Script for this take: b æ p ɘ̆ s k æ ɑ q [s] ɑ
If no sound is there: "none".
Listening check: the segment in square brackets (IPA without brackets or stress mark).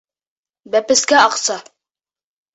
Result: s